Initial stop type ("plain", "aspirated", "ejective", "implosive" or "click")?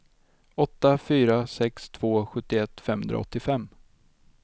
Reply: plain